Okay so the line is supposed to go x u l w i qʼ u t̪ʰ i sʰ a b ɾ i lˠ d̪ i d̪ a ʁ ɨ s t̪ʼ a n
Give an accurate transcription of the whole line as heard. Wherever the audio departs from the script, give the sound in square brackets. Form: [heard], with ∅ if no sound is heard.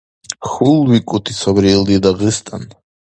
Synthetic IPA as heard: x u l w i [kʼ] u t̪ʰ i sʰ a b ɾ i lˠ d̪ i d̪ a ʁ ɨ s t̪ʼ a n